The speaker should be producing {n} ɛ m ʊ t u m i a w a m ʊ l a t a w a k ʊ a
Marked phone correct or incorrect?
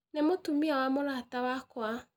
correct